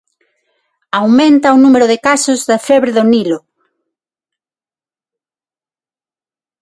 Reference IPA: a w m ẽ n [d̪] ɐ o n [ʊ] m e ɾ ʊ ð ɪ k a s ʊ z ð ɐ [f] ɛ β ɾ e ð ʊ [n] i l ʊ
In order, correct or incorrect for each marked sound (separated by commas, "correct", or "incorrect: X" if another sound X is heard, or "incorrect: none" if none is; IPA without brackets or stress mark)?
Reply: incorrect: t̪, incorrect: u, correct, correct